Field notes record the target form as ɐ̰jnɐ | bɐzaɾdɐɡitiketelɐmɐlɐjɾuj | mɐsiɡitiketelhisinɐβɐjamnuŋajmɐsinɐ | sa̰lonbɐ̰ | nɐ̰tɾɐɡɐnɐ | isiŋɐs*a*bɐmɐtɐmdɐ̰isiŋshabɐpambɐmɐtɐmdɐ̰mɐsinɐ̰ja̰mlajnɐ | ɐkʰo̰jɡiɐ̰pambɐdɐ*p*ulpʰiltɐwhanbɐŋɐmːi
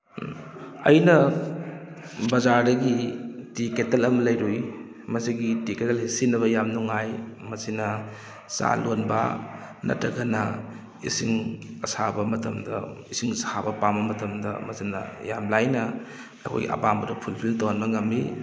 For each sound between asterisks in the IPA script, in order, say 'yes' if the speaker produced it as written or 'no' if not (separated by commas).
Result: yes, no